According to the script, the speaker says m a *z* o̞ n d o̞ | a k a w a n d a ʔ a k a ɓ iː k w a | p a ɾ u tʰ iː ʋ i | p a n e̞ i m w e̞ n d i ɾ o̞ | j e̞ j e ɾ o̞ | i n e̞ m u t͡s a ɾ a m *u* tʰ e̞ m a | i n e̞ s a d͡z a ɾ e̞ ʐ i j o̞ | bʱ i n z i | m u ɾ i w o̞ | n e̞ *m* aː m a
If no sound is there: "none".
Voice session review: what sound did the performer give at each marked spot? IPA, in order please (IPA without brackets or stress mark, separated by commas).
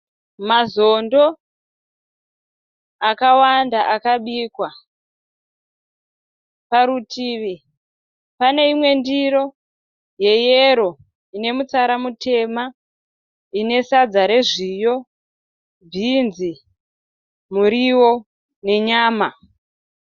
z, u, ɲ